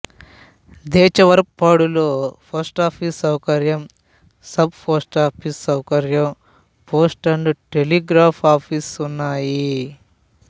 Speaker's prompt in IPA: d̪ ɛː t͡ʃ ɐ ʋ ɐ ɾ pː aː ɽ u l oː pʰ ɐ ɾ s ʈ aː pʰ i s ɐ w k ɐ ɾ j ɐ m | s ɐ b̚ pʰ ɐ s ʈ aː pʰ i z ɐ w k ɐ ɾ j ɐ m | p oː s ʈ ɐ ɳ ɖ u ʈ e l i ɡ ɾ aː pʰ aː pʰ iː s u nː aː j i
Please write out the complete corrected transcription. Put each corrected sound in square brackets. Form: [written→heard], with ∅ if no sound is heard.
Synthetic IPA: d̪ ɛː t͡ʃ ɐ ʋ ɐ ɾ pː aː ɽ u l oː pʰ ɐ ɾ s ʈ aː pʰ i s ɐ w k ɐ ɾ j ɐ m | s ɐ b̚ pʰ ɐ s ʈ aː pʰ i [z→s] ɐ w k ɐ ɾ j ɐ m | p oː s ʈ ɐ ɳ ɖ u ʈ e l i ɡ ɾ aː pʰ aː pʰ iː s u nː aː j i